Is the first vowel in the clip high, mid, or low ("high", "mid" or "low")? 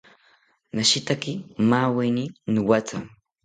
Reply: low